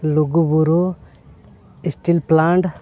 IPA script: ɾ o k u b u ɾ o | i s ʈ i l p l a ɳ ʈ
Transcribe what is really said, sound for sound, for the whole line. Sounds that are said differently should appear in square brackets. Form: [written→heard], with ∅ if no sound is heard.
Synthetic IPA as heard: [ɾ→l] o [k→ɡ] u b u ɾ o | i s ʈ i l p l a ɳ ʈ